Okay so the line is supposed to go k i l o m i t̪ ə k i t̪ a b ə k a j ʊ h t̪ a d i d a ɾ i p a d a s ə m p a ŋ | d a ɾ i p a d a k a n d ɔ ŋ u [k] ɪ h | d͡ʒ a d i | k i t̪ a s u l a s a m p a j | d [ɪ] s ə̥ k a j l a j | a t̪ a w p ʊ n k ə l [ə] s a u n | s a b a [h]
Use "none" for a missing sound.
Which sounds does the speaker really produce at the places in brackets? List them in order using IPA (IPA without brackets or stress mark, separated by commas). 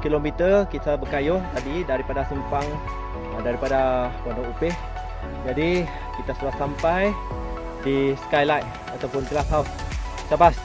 p, i, a, s